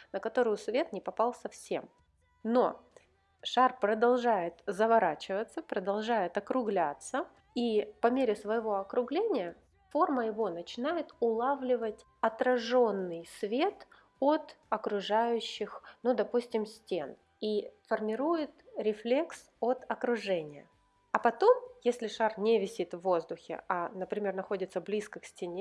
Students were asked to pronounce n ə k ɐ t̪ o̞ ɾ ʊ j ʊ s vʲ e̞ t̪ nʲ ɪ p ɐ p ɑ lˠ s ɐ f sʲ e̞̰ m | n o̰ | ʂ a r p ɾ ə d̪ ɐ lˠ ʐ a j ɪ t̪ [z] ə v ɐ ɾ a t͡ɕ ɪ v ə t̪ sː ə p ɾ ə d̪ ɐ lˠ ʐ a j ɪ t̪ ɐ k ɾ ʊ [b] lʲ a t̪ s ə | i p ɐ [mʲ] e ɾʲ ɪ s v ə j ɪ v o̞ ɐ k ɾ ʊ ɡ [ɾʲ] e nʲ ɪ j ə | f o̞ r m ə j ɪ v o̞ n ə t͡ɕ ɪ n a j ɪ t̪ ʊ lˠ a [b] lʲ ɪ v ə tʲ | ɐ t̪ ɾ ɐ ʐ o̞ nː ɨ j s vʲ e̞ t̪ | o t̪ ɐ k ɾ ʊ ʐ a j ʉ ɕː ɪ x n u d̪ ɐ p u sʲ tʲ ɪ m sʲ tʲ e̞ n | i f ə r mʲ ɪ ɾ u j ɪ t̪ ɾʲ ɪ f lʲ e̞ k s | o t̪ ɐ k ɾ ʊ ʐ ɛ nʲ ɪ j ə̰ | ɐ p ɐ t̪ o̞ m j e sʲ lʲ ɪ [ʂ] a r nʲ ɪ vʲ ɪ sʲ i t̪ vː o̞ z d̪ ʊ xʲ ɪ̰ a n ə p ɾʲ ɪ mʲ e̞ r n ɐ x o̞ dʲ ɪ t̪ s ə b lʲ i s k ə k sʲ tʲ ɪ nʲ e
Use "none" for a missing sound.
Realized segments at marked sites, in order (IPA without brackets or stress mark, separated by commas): z, ɡ, mʲ, lʲ, v, ʂ